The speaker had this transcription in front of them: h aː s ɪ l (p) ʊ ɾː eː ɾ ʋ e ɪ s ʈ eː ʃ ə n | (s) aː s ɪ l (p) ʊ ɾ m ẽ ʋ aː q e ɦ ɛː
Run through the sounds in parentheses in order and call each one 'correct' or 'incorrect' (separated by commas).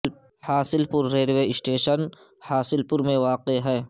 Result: correct, incorrect, correct